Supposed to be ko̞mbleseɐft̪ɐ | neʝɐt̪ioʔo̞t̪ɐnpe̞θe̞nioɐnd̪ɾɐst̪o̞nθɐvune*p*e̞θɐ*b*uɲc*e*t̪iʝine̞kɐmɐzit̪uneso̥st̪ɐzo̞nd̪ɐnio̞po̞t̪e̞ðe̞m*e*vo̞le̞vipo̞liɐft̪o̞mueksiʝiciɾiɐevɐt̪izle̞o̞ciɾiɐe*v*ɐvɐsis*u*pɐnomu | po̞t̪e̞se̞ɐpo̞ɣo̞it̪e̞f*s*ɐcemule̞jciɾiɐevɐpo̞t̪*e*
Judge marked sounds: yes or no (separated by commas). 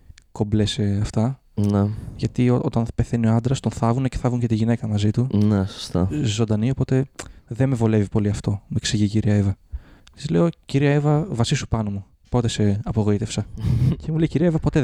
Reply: no, no, yes, yes, yes, yes, yes, yes